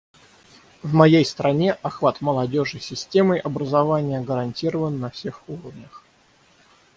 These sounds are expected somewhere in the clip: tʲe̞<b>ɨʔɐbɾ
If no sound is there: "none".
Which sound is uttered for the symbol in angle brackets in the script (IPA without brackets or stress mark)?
m